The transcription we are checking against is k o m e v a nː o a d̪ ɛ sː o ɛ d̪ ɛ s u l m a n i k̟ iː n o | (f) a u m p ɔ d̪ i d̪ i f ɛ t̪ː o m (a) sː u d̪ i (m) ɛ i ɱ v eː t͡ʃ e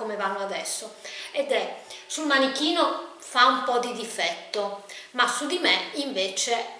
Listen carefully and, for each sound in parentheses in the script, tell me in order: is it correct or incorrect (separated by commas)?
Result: correct, correct, correct